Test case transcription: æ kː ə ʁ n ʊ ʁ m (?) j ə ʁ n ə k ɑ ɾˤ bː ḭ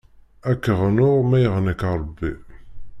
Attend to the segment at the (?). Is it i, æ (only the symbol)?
æ